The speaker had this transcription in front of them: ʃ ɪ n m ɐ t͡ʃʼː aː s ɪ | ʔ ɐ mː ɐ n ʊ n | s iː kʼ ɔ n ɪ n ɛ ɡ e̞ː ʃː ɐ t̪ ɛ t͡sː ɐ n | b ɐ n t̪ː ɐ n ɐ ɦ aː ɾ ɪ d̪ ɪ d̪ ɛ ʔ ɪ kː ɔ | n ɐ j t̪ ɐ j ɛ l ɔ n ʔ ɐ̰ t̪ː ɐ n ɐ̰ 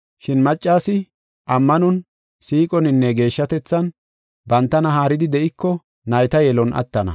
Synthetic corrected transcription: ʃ ɪ n m ɐ t͡ʃʼː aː s ɪ | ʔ ɐ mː ɐ n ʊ n | s iː kʼ ɔ n ɪ nː ɛ ɡ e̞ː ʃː ɐ t̪ ɛ t͡sː ɐ n | b ɐ n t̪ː ɐ n ɐ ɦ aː ɾ ɪ d̪ ɪ d̪ ɛ ʔ ɪ kː ɔ | n ɐ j t̪ ɐ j ɛ l ɔ n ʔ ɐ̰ t̪ː ɐ n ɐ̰